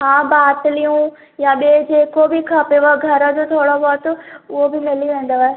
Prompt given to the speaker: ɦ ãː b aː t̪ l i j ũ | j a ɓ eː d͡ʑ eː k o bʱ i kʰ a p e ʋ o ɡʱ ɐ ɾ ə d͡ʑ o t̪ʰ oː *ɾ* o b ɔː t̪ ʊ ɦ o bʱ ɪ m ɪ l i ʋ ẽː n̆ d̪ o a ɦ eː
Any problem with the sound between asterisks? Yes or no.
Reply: yes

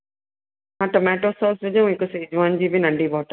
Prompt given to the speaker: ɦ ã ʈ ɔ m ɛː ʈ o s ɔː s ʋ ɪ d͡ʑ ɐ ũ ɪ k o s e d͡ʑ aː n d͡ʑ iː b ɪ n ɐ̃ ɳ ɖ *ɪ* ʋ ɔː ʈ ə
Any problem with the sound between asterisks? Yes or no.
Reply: yes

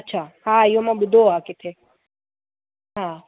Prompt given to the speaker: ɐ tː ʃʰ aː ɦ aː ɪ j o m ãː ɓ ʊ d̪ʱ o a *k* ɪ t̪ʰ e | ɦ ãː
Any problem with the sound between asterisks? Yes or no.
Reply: no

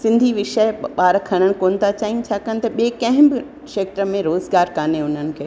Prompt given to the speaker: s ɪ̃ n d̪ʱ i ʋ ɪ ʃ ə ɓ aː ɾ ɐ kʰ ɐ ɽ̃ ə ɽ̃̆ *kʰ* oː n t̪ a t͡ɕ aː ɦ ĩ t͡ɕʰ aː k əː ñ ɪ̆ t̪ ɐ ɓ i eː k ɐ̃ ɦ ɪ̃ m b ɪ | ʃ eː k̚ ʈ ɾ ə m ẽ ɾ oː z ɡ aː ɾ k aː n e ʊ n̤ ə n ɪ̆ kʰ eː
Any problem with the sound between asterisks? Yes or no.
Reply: yes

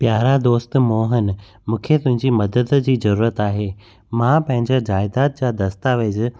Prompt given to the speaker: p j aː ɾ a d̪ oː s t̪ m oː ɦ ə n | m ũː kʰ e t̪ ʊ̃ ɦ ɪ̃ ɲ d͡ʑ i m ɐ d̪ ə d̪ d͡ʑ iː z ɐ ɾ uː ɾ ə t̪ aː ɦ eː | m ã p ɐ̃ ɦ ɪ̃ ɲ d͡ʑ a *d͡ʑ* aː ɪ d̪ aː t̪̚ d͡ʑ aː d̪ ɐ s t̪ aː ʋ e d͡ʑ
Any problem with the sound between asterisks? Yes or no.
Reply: no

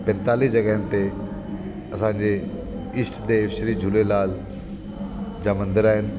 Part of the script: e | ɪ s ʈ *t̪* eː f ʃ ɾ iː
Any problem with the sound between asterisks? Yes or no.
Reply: yes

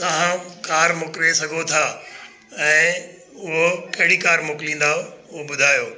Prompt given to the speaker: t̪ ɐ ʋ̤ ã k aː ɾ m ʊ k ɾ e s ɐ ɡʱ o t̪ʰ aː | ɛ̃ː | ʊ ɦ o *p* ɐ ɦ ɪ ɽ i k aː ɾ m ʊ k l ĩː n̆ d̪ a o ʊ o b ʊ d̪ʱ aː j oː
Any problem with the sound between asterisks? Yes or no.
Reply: yes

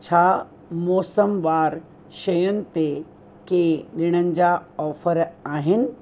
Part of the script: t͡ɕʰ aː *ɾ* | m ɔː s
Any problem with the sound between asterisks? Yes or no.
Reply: yes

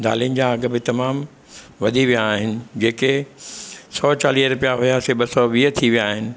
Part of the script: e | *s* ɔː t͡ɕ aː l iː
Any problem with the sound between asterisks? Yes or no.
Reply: no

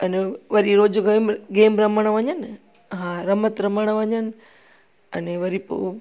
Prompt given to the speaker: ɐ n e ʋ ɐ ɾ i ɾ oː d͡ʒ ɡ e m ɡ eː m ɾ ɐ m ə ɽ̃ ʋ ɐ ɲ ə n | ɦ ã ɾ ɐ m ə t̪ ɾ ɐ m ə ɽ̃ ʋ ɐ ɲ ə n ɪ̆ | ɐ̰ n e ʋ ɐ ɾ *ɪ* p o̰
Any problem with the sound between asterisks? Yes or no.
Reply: yes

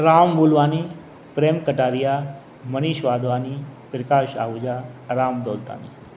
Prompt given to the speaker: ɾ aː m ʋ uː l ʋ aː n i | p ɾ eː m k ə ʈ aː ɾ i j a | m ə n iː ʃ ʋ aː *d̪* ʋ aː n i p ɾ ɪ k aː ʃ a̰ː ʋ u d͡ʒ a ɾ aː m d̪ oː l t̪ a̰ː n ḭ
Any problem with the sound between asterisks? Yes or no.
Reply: no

